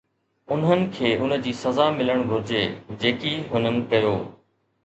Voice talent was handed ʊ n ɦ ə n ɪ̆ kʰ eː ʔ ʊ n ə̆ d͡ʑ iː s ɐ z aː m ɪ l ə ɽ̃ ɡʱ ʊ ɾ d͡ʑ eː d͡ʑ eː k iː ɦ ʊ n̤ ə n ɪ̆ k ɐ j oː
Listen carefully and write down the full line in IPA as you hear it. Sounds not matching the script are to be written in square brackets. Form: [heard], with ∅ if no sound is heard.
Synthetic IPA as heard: ʊ n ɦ ə n ɪ̆ kʰ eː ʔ ʊ n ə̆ d͡ʑ iː s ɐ z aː m ɪ l ə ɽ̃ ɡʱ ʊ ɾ d͡ʑ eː d͡ʑ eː k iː ɦ ʊ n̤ ə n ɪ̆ k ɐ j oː